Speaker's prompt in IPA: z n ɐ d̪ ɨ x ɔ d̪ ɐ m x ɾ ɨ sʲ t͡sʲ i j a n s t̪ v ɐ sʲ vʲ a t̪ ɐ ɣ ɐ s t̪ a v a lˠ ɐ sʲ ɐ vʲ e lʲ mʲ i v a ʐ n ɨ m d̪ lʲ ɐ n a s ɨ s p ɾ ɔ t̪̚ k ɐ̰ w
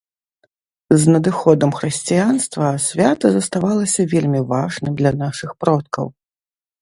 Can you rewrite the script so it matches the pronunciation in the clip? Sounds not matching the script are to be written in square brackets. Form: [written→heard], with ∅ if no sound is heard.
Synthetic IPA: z n ɐ d̪ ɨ x ɔ d̪ ɐ m x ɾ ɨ sʲ t͡sʲ i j a n s t̪ v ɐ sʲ vʲ a t̪ ɐ [ɣ→z] ɐ s t̪ a v a lˠ ɐ sʲ ɐ vʲ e lʲ mʲ i v a ʐ n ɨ m d̪ lʲ ɐ n a [s→ʂ] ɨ [s→x] p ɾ ɔ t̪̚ k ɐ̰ w